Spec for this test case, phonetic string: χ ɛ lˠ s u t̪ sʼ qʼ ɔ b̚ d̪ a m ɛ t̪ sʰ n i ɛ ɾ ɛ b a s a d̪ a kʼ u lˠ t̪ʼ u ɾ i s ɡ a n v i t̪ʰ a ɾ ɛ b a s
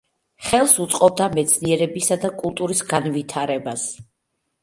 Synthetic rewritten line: χ ɛ lˠ s u t̪ sʼ qʼ ɔ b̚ d̪ a m ɛ t̪ sʰ n i ɛ ɾ ɛ b i s a d̪ a kʼ u lˠ t̪ʼ u ɾ i s ɡ a n v i t̪ʰ a ɾ ɛ b a s